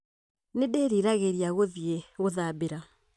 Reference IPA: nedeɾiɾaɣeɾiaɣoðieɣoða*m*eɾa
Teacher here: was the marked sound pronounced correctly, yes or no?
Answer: no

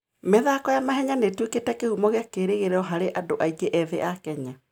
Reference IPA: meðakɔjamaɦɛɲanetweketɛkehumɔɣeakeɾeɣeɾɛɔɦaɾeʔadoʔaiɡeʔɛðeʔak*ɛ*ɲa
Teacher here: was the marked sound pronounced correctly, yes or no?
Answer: yes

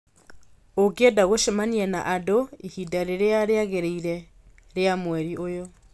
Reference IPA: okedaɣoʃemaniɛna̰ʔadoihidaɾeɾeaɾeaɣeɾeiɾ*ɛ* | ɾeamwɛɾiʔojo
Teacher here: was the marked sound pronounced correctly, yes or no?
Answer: yes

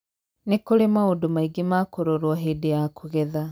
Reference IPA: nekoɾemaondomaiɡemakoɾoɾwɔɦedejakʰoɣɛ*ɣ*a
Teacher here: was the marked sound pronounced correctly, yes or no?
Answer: no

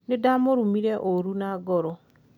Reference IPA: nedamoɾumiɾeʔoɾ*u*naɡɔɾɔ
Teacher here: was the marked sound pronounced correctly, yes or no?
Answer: yes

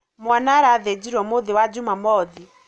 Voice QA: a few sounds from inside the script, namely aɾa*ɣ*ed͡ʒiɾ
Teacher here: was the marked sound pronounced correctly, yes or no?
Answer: no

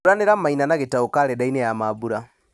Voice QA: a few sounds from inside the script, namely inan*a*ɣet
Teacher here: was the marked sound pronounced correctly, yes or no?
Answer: yes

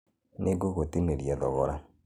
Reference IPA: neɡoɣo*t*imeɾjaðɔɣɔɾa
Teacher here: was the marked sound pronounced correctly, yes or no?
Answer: yes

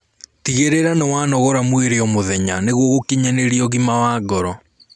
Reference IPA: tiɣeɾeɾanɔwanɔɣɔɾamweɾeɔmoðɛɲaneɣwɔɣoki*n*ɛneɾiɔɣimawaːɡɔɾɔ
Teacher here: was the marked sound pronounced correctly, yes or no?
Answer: no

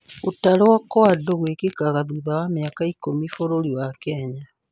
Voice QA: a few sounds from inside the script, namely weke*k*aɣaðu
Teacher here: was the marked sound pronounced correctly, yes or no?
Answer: yes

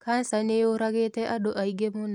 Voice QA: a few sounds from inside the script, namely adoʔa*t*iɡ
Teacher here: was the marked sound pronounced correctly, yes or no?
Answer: no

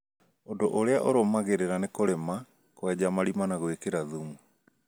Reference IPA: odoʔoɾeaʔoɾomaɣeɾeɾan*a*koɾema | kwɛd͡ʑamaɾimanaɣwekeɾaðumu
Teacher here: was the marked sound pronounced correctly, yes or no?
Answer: no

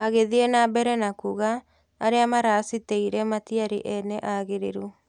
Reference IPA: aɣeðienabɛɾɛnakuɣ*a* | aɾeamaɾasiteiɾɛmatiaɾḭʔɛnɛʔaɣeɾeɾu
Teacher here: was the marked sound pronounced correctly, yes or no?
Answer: yes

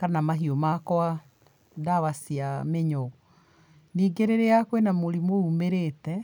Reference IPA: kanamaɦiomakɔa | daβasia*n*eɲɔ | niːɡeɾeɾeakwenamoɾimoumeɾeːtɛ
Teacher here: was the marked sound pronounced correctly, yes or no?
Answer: no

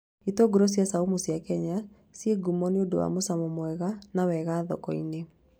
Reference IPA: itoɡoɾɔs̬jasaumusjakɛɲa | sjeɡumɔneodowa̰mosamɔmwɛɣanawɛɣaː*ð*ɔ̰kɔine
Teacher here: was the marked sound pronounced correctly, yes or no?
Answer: yes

